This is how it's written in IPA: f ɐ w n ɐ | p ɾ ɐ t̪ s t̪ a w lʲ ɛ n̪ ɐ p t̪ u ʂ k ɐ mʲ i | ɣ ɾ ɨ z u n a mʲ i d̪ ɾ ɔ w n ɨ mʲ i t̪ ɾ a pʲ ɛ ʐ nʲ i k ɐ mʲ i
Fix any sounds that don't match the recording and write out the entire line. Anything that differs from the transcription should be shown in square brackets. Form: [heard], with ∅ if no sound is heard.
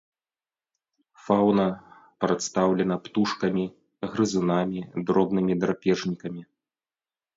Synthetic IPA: f [a] w n ɐ | p ɾ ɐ t̪ s t̪ a w lʲ ɛ n̪ ɐ p t̪ u ʂ k ɐ mʲ i | ɣ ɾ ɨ z u n a mʲ i d̪ ɾ ɔ [b] n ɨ mʲ i [d̪] ɾ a pʲ ɛ ʐ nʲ i k ɐ mʲ i

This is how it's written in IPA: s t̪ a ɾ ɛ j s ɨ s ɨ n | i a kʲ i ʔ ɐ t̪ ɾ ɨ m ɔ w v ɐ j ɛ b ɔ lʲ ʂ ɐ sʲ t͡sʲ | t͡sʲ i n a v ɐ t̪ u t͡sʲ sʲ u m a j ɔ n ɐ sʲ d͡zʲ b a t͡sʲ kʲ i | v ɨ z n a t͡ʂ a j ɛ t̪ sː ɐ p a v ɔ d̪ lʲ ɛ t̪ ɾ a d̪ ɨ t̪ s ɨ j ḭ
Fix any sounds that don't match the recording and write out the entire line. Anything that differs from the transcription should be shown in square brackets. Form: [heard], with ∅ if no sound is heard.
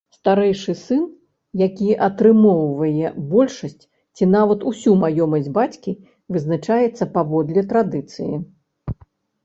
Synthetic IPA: s t̪ a ɾ ɛ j [ʂ] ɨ s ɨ n | [j] a kʲ i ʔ ɐ t̪ ɾ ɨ m ɔ w v ɐ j ɛ b ɔ lʲ ʂ ɐ sʲ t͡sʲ | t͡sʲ i n a v ɐ t̪ u [∅] sʲ u m a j ɔ [m] ɐ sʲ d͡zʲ b a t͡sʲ kʲ i | v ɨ z n a t͡ʂ a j ɛ t̪ sː ɐ p a v ɔ d̪ lʲ ɛ t̪ ɾ a d̪ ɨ t̪ s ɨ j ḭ

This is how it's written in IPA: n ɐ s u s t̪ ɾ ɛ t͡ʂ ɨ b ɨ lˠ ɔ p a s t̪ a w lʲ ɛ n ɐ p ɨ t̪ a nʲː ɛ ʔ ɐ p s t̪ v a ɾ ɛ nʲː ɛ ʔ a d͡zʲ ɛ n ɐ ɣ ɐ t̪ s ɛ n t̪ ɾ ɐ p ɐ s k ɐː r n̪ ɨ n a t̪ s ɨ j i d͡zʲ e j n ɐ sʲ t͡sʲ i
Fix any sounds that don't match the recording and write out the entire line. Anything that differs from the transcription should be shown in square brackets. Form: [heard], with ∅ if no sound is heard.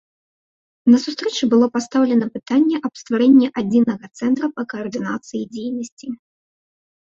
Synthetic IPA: n ɐ s u s t̪ ɾ ɛ t͡ʂ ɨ b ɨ lˠ ɔ p a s t̪ a w lʲ ɛ n ɐ p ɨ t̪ a nʲː ɛ ʔ ɐ p s t̪ v a ɾ ɛ nʲː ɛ ʔ a d͡zʲ [i] n ɐ ɣ ɐ t̪ s ɛ n t̪ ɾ ɐ p ɐ [∅] k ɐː r [d̪] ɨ n a t̪ s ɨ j i d͡zʲ e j n ɐ sʲ t͡sʲ i

